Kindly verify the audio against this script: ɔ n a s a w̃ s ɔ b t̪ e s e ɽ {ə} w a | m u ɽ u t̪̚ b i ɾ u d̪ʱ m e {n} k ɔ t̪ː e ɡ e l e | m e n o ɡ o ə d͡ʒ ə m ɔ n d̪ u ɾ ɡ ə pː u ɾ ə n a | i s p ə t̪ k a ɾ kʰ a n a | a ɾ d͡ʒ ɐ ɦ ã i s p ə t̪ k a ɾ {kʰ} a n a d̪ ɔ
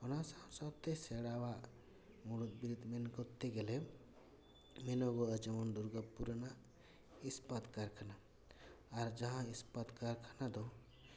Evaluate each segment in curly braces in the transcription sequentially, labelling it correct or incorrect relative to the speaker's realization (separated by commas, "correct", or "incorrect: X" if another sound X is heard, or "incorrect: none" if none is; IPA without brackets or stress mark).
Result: incorrect: a, correct, correct